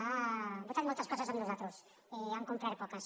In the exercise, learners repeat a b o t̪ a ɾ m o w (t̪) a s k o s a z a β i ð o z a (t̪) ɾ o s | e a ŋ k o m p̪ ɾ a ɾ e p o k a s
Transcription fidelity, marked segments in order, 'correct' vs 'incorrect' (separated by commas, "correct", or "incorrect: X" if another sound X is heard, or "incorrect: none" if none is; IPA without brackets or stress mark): correct, correct